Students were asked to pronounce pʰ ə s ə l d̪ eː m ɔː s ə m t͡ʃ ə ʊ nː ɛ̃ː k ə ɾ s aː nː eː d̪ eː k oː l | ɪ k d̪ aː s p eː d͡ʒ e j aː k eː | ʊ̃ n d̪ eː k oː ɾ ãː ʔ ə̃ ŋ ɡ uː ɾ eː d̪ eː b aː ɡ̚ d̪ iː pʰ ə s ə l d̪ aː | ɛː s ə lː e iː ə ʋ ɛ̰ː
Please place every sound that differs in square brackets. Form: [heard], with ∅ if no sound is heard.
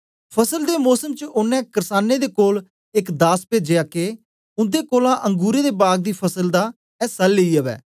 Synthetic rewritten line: pʰ ə s ə l d̪ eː m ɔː s ə m t͡ʃ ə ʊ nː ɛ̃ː k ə ɾ s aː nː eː d̪ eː k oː l | ɪ k d̪ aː s p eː d͡ʒ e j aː k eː | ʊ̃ n d̪ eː k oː [l] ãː ʔ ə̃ ŋ ɡ uː ɾ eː d̪ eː b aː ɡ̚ d̪ iː pʰ ə s ə l d̪ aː | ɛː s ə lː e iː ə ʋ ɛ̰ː